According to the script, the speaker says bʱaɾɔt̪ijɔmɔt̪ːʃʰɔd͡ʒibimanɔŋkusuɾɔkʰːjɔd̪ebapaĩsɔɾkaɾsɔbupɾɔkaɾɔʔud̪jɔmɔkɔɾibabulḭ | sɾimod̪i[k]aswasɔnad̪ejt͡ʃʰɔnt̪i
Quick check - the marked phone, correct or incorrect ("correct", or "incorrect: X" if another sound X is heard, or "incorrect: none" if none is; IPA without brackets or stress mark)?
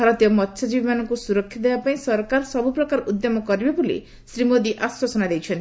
incorrect: ʔ